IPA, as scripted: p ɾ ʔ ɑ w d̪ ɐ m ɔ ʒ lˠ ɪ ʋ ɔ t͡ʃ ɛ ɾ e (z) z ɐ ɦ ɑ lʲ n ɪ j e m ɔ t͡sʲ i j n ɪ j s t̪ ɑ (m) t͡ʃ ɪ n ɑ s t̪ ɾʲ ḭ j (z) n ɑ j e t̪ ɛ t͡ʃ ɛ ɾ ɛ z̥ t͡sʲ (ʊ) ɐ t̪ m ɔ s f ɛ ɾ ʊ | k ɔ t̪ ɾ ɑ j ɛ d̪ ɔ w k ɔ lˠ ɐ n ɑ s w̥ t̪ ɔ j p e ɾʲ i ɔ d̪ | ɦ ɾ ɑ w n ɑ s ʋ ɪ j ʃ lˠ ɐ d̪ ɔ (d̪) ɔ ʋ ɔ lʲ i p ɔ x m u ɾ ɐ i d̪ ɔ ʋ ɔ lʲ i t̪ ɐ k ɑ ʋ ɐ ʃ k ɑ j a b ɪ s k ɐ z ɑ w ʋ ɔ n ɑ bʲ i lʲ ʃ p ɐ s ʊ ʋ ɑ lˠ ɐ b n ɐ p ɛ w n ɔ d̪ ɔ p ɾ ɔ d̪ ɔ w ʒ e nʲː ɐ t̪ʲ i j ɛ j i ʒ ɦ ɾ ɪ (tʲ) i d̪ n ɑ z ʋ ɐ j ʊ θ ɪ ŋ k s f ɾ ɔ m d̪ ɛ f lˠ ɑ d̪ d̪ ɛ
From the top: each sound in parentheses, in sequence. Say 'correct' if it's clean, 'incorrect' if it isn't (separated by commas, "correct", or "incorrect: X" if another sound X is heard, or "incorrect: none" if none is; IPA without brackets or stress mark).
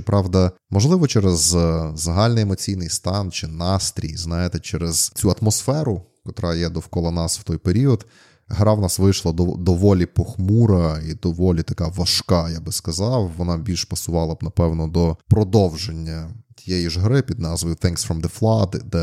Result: correct, incorrect: n, correct, incorrect: u, correct, incorrect: pʲ